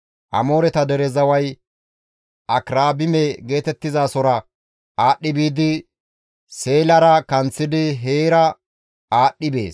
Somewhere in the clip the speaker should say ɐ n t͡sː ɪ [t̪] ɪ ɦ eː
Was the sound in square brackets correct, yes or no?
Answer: no